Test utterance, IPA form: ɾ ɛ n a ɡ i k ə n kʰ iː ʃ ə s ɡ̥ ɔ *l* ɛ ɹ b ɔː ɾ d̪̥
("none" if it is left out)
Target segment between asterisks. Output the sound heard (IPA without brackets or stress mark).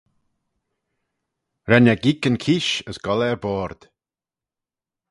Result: l